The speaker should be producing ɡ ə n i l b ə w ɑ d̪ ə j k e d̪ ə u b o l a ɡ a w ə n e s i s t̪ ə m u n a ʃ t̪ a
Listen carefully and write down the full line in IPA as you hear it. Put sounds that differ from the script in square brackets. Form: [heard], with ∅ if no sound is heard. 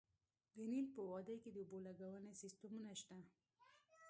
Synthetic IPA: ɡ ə n i l [p] ə w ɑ d̪ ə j k e d̪ ə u b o l a ɡ a w ə n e s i s t̪ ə m u n a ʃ t̪ a